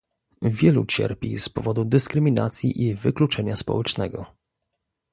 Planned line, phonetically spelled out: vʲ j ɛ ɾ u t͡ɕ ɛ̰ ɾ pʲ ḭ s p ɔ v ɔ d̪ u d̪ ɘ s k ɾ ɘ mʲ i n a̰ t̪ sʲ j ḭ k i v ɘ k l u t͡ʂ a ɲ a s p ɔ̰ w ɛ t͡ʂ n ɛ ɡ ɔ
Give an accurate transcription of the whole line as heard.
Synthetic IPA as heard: vʲ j ɛ l u t͡ɕ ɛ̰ ɾ pʲ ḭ s p ɔ v ɔ d̪ u d̪ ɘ s k ɾ ɘ mʲ i n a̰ t̪ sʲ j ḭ ʔ i v ɘ k l u t͡ʂ ɛ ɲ a s p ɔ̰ w ɛ t͡ʂ n ɛ ɡ ɔ